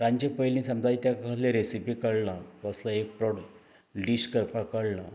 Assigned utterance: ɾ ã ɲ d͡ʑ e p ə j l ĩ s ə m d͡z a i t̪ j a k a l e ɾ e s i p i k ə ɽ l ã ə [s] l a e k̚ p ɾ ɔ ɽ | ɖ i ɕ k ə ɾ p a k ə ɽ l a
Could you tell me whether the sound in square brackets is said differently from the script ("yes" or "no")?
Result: no